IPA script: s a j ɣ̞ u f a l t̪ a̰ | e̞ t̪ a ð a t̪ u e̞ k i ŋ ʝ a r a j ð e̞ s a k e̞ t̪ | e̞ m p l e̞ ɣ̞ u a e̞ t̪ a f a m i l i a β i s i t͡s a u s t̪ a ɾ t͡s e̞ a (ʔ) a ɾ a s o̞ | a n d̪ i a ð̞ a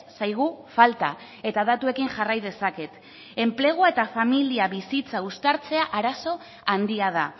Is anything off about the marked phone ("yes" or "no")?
no